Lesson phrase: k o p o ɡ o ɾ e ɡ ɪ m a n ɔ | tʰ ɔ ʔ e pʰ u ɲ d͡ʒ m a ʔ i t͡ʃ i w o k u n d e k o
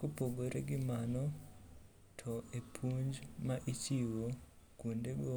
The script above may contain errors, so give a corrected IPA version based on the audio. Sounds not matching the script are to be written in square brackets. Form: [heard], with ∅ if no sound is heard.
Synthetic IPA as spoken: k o p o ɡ o ɾ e ɡ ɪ m a n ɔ | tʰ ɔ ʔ e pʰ u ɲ d͡ʒ m a ʔ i t͡ʃ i w o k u n d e [ɡ] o